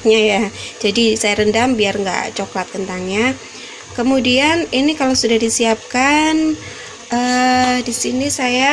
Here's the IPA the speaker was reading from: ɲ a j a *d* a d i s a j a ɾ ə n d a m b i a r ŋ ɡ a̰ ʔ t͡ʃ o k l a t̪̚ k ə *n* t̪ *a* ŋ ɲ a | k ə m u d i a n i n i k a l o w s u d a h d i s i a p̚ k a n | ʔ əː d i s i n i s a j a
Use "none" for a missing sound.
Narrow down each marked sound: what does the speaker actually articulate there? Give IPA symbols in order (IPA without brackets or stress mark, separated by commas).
d͡ʒ, n, a